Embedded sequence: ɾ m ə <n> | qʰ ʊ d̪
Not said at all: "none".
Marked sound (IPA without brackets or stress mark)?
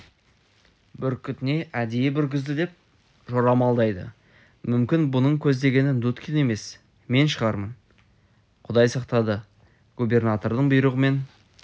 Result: n